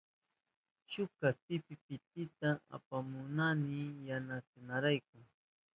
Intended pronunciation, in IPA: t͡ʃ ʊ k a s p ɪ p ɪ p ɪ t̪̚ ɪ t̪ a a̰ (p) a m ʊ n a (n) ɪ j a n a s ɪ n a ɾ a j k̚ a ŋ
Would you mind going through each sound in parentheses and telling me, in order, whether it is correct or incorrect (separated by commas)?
correct, correct